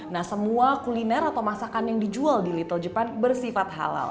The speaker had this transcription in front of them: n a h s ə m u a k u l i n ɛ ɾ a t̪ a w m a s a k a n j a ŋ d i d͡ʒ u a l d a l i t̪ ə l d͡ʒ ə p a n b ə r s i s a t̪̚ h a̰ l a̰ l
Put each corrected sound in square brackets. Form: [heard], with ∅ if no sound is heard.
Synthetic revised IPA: n a h s ə m u a k u l i n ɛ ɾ a t̪ a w m a s a k a n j a ŋ d i d͡ʒ u a l d [i] l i t̪ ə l d͡ʒ ə p a n b ə r s i [f] a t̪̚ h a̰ l a̰ l